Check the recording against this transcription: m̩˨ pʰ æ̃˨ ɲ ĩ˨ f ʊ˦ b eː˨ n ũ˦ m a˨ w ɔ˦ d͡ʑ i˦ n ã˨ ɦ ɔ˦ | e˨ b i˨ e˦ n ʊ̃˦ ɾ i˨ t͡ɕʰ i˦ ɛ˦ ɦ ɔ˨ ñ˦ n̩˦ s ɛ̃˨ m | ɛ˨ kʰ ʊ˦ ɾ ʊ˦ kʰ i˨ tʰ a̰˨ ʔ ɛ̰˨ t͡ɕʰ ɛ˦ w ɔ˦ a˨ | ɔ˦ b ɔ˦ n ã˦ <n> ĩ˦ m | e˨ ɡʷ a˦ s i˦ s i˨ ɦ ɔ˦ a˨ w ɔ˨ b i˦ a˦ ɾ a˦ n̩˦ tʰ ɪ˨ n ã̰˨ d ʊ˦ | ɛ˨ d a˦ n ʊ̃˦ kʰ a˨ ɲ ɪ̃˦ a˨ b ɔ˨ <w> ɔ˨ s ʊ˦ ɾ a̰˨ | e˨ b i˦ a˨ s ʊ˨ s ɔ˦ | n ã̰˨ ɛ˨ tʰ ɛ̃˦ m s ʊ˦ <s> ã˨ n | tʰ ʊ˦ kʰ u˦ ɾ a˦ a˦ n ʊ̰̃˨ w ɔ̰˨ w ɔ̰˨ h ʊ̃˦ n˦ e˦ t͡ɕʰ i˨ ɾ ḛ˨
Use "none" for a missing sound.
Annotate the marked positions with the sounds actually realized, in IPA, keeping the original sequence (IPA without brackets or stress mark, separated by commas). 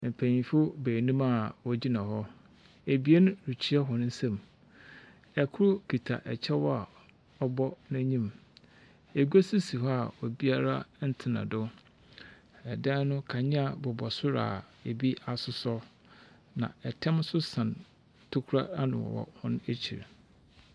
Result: ɲ, b, s